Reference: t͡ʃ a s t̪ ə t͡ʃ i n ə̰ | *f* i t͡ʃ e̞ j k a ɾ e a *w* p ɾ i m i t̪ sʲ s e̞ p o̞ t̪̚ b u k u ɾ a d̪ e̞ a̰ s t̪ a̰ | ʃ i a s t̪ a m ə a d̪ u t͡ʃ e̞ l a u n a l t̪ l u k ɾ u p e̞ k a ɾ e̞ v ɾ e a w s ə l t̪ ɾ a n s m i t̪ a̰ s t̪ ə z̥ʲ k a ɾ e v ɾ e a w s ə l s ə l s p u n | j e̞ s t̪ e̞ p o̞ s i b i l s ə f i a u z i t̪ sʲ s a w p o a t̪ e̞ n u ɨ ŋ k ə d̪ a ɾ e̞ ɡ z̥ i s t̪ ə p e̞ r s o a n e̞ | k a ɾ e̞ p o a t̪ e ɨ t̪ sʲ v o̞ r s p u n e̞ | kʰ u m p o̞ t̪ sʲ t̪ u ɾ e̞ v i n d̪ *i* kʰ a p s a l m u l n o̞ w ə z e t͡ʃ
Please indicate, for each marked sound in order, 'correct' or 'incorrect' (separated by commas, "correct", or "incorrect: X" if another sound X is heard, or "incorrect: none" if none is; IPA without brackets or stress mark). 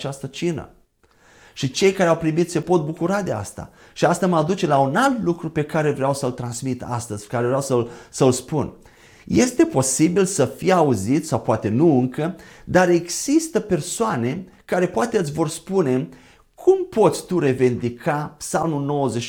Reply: incorrect: ʃ, correct, correct